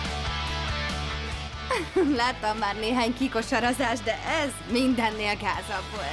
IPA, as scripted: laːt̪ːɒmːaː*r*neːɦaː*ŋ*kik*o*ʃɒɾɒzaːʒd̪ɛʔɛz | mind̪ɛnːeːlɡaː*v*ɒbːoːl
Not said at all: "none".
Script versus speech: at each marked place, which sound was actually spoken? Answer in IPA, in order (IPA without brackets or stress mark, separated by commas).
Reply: r, ɲ, o, z